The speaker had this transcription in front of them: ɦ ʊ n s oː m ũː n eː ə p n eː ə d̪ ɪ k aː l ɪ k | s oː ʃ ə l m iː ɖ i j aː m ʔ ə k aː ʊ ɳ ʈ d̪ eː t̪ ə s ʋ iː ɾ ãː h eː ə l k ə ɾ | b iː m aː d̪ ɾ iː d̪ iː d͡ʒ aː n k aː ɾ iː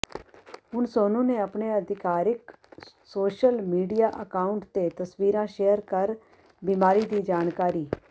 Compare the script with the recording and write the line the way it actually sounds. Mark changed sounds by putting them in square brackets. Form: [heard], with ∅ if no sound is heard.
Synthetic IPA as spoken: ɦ ʊ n s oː [n] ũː n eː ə p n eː ə d̪ ɪ k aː [ɾ] ɪ k | s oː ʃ ə l m iː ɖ i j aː [∅] ʔ ə k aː ʊ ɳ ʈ [t̪] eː t̪ ə s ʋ iː ɾ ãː [ʃ] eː ə [ɾ] k ə ɾ | b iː m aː [∅] ɾ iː d̪ iː d͡ʒ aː n k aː ɾ iː